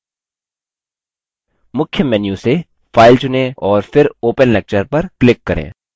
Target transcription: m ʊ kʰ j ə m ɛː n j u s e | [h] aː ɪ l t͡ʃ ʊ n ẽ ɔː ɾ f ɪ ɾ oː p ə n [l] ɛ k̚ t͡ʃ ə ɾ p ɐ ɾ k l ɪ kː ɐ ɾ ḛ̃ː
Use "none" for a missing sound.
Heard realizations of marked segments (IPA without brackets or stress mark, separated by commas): f, l